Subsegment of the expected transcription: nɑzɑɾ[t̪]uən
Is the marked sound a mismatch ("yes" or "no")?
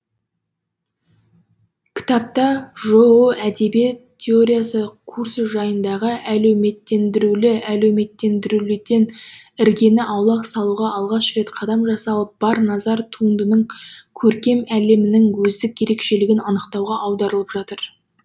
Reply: yes